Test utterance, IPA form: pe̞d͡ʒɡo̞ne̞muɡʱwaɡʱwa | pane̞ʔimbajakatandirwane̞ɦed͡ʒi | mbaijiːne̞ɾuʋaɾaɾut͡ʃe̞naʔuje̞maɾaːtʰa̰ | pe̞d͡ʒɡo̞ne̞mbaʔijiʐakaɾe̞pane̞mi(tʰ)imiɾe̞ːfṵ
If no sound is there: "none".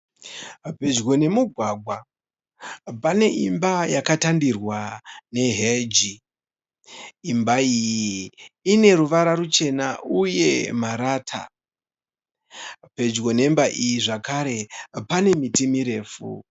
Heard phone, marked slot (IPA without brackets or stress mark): t